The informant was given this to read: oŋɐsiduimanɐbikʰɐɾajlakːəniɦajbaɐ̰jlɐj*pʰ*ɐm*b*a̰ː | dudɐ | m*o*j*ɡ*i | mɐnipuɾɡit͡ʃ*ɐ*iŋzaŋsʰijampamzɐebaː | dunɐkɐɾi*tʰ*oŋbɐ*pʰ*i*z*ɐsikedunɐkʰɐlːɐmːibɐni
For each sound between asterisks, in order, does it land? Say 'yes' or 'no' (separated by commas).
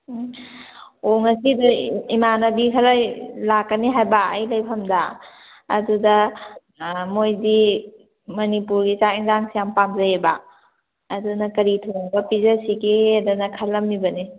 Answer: yes, no, yes, no, no, yes, no, yes